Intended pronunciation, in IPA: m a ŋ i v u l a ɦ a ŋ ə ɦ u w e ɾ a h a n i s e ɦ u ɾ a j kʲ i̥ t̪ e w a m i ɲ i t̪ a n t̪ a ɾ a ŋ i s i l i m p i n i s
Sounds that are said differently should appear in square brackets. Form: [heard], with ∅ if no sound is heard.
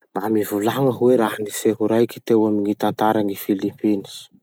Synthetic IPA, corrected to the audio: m a [m] i v u l a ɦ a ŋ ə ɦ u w e ɾ a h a n i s e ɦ u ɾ a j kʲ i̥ t̪ e w a m i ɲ i t̪ a n t̪ a ɾ a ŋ i [f] i l i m p i n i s